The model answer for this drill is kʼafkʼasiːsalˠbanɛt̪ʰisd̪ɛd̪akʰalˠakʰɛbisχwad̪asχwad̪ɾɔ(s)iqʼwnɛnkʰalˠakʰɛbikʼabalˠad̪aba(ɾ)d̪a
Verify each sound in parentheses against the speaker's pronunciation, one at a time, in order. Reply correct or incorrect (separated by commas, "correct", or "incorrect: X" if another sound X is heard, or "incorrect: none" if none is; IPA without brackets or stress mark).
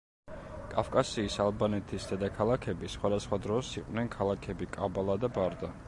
correct, correct